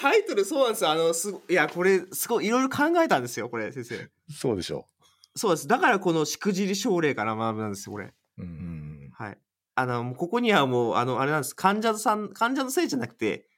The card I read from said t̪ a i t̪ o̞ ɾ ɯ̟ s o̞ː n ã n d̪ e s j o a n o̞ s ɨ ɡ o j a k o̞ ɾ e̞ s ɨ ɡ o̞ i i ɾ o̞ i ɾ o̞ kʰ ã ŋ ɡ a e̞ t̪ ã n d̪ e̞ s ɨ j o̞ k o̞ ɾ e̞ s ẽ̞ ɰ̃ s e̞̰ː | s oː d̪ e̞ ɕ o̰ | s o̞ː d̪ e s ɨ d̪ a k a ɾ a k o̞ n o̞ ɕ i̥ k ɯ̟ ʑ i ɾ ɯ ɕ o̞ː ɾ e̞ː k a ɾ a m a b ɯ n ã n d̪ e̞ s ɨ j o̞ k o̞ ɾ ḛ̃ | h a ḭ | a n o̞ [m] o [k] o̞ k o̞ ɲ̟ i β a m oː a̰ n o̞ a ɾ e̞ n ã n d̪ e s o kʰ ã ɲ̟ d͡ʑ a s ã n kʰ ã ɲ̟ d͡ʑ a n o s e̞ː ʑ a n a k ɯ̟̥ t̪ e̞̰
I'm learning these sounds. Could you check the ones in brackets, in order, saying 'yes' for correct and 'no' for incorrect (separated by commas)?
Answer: yes, yes